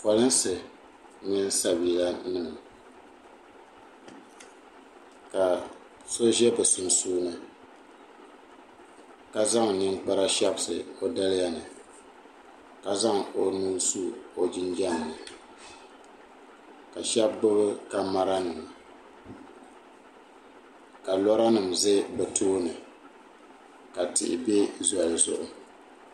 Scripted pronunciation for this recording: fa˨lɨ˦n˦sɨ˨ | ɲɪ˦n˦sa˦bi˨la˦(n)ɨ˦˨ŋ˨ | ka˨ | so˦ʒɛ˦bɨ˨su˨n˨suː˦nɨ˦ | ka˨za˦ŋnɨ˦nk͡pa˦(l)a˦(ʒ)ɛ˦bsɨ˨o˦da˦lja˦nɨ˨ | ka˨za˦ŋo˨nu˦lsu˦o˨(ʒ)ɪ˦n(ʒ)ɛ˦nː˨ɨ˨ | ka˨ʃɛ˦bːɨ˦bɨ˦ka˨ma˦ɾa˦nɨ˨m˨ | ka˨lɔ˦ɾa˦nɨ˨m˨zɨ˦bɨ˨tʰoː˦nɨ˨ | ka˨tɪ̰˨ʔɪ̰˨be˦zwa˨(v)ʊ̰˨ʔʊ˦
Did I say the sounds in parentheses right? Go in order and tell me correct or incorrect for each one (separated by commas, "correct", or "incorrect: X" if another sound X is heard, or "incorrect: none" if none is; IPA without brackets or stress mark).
correct, incorrect: ɾ, incorrect: ʃ, incorrect: d͡ʒ, incorrect: d͡ʒ, incorrect: z